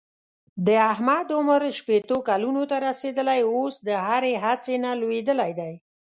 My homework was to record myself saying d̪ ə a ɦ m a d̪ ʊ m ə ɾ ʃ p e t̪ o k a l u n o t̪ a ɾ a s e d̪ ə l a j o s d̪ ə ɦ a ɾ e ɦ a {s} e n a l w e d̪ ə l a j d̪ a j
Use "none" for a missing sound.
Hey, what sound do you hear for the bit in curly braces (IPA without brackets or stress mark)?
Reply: t͡s